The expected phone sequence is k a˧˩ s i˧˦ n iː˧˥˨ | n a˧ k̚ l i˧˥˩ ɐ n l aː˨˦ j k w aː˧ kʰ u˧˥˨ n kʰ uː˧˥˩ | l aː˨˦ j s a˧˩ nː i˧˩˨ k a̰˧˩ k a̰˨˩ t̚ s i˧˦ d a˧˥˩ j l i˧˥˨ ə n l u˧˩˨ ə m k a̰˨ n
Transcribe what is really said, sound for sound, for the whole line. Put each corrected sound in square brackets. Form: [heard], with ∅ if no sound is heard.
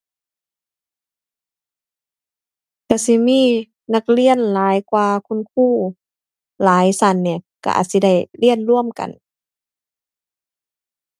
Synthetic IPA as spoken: k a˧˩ s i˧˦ [m] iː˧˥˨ | n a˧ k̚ l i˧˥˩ [ə] n l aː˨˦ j k w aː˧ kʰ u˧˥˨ n kʰ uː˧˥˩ | l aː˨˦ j s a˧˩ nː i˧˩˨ k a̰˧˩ [ʔ] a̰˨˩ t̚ s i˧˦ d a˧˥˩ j l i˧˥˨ ə n l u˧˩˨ ə m k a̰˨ n